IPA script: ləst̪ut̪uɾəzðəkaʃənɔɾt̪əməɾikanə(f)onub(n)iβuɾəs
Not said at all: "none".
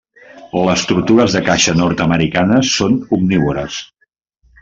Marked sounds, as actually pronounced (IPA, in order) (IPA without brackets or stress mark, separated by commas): s, n